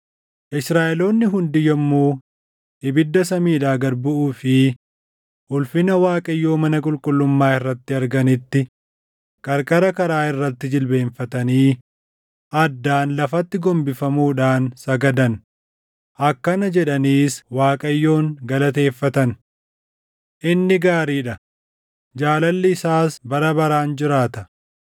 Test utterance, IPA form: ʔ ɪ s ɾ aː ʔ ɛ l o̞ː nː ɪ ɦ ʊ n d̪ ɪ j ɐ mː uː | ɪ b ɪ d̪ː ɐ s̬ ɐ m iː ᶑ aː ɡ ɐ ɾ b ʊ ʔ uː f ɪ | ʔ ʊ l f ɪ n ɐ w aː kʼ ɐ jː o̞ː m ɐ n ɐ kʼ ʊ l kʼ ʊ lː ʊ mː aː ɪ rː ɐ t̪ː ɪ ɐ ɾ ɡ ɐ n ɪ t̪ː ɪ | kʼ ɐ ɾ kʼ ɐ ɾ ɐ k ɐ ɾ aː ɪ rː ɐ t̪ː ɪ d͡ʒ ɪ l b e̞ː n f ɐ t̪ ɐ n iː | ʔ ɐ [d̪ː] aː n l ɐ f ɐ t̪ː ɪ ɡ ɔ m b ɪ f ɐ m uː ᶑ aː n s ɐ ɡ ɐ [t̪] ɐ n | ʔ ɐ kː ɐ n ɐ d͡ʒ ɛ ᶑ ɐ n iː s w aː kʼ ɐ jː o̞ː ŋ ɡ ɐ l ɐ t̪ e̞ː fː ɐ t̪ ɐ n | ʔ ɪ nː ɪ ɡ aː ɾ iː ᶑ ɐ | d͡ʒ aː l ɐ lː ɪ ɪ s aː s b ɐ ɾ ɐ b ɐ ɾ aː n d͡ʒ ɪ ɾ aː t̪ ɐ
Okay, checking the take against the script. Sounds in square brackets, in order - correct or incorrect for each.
correct, incorrect: d̪

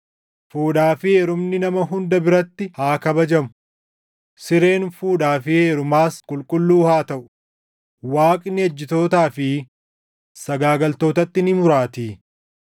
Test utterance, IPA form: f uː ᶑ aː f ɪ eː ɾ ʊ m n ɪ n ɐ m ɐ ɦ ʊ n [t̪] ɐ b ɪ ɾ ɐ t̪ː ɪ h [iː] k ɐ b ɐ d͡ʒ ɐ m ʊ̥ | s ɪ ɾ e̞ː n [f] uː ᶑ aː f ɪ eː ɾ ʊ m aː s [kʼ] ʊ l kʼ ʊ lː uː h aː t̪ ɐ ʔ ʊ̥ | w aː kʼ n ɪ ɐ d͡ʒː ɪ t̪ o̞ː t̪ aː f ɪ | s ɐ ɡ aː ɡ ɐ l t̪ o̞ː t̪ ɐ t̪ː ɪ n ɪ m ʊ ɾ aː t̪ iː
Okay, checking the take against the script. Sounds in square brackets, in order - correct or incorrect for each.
incorrect: d̪, incorrect: aː, correct, correct

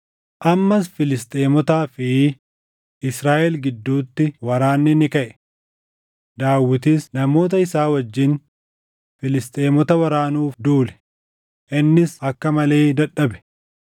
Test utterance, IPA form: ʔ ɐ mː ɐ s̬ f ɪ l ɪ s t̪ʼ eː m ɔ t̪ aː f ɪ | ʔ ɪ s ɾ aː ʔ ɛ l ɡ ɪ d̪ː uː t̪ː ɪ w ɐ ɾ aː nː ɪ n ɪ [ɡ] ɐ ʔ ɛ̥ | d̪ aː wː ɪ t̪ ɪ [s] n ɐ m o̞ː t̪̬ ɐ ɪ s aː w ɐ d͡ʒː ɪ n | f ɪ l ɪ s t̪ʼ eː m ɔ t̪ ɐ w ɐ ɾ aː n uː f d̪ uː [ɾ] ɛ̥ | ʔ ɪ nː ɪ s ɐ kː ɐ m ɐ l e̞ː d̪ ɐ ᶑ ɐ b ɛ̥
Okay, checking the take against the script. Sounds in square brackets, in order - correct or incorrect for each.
incorrect: k, correct, incorrect: l

